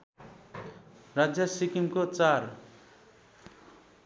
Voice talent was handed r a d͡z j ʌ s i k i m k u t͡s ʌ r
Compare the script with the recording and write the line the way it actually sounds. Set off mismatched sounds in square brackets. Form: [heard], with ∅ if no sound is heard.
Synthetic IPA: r a d͡z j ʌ s i k i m k [o] t͡s [a] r